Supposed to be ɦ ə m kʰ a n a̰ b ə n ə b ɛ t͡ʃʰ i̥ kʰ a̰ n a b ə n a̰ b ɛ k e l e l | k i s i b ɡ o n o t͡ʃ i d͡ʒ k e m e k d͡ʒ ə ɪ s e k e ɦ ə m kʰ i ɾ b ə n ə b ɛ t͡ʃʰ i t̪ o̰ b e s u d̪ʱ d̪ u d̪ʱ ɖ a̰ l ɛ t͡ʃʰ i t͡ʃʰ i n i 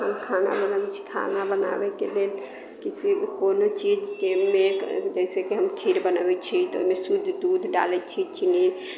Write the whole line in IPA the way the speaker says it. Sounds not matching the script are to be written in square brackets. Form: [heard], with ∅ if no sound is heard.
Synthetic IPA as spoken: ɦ ə m kʰ a n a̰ b ə n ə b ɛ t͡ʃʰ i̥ kʰ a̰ n a b ə n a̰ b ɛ k e l e l | k i s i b [k] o n o t͡ʃ i d͡ʒ k e m e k d͡ʒ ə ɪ s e k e ɦ ə m kʰ i ɾ b ə n ə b ɛ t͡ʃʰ i t̪ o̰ [m] e s u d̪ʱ d̪ u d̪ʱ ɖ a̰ l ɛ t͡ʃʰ i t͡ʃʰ i n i